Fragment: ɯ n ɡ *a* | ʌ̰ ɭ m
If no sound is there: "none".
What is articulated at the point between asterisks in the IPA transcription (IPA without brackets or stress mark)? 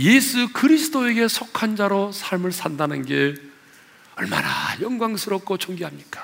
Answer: e